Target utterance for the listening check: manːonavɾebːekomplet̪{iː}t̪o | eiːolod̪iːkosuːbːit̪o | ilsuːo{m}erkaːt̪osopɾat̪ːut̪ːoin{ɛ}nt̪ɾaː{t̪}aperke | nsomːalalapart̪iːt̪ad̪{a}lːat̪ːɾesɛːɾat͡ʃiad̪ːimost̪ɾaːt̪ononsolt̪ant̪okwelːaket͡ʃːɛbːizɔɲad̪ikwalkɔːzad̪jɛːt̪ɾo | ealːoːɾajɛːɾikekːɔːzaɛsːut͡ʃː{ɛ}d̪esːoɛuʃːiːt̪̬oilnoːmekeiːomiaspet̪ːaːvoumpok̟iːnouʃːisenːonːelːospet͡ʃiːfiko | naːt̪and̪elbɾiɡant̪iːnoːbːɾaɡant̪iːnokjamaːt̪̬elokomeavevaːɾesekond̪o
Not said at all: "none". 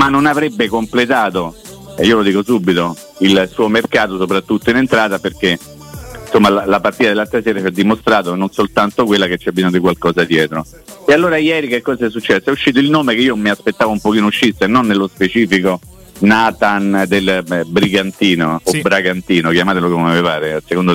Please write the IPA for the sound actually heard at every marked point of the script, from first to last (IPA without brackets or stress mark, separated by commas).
aː, m, e, t̪, e, ɛ